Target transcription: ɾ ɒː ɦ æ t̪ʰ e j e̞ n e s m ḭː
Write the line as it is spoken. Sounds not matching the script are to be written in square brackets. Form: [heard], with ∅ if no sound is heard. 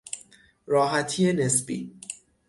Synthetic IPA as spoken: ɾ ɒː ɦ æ t̪ʰ [i] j e̞ n e s [b] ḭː